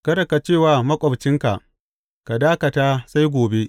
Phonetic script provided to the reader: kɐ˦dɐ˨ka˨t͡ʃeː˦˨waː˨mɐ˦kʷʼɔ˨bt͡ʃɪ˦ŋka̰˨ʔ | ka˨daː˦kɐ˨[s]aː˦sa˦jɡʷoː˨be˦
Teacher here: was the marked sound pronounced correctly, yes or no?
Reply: no